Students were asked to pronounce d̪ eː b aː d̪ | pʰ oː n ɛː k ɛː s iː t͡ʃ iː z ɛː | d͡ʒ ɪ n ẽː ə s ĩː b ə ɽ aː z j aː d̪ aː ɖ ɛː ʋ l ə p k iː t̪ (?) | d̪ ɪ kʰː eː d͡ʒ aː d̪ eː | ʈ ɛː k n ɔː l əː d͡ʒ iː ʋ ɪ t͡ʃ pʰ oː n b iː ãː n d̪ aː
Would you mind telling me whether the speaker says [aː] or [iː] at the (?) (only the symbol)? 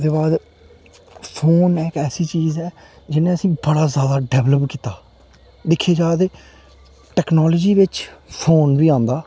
aː